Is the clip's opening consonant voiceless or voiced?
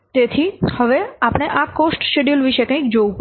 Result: voiceless